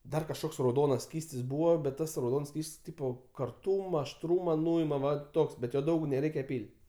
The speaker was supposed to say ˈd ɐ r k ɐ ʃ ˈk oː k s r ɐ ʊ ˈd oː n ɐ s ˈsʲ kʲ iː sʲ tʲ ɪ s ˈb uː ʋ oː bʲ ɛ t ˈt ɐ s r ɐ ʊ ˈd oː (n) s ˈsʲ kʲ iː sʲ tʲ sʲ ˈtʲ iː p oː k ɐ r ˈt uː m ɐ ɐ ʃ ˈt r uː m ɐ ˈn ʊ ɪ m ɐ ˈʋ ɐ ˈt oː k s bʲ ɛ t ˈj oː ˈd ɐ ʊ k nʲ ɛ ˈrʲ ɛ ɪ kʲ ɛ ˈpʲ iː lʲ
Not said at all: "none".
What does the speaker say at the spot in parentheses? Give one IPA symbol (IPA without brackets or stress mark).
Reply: n